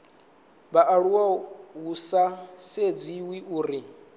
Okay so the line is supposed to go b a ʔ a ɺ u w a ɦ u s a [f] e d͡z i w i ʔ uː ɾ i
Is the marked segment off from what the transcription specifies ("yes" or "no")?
yes